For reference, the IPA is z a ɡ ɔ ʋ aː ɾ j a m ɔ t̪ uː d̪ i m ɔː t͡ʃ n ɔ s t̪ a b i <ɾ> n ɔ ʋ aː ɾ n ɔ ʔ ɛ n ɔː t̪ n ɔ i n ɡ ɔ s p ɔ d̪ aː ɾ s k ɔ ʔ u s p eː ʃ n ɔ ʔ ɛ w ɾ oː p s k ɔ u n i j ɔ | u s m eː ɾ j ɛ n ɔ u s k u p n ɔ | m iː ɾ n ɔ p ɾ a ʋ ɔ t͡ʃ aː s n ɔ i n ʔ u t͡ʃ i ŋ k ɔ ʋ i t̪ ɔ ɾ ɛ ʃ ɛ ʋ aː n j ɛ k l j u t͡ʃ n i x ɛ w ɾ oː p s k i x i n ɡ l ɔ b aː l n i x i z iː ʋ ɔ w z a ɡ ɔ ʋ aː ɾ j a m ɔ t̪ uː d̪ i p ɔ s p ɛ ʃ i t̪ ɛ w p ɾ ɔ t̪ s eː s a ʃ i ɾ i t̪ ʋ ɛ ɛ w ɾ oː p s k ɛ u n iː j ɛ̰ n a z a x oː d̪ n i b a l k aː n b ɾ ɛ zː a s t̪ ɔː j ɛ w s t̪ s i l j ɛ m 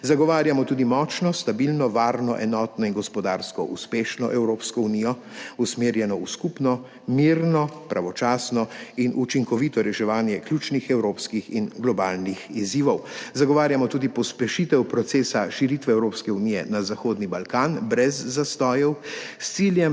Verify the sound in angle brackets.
incorrect: l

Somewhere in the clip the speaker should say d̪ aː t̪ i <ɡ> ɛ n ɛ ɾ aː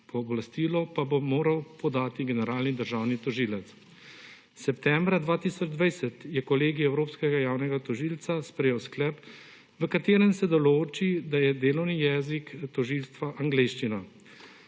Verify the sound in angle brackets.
correct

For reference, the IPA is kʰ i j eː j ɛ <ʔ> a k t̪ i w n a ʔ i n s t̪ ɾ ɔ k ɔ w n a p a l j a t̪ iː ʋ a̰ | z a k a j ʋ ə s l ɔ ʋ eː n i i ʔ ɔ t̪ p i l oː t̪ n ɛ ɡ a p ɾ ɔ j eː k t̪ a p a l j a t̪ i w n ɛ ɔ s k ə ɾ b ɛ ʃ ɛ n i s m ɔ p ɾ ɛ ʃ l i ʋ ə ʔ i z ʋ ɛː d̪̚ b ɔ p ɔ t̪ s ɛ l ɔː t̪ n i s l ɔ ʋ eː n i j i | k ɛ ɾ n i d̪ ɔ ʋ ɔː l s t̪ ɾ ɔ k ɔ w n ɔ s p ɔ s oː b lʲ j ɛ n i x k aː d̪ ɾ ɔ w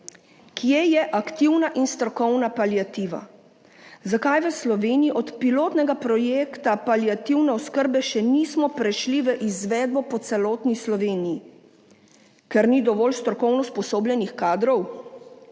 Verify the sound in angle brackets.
correct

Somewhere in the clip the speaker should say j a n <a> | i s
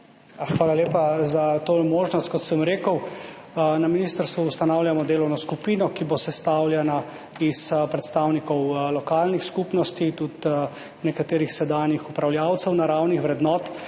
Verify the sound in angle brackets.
correct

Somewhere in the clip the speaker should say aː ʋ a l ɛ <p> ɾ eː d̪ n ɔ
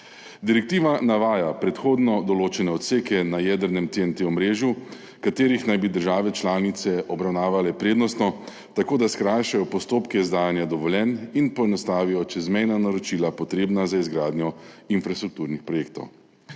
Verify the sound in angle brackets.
correct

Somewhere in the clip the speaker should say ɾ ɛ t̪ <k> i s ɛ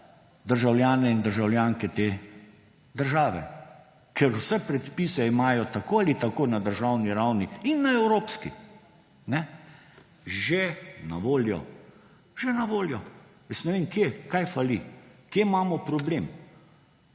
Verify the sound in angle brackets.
incorrect: p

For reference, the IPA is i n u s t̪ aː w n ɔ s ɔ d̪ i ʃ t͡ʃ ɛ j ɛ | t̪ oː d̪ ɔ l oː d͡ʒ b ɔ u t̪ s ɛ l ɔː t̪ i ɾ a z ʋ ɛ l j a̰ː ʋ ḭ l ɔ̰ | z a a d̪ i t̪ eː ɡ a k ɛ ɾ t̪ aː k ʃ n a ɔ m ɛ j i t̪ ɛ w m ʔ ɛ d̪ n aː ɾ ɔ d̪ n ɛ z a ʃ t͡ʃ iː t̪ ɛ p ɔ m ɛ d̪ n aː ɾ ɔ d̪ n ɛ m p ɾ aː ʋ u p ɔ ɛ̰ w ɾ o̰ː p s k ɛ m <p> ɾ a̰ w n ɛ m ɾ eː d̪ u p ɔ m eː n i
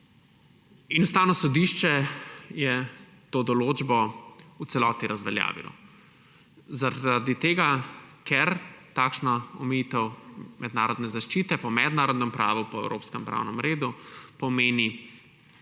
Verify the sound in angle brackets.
correct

